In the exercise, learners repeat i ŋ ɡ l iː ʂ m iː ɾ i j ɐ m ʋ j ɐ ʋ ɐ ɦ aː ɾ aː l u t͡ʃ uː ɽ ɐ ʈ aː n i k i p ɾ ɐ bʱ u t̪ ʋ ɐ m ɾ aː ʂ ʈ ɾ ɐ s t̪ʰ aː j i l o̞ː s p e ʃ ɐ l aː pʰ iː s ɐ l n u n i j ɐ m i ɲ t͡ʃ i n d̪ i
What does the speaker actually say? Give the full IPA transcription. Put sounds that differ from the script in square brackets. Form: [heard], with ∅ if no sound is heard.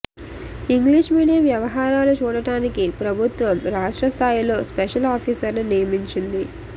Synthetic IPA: i ŋ ɡ l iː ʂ m iː [ɽ] i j ɐ m ʋ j ɐ ʋ ɐ ɦ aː ɾ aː l u t͡ʃ uː ɽ ɐ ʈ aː n i k i p ɾ ɐ bʱ u t̪ ʋ ɐ m ɾ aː ʂ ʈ ɾ ɐ s t̪ʰ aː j i l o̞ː s p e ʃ ɐ l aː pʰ iː s ɐ [ɾ] n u n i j ɐ m i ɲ t͡ʃ i n d̪ i